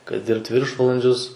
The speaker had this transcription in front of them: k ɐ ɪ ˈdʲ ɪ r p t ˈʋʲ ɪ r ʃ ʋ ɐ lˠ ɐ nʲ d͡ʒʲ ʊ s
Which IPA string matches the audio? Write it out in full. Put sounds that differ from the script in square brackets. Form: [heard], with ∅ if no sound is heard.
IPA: k ɐ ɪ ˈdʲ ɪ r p t ˈʋʲ ɪ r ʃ ʋ ɐ lˠ ɐ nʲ d͡ʒʲ ʊ s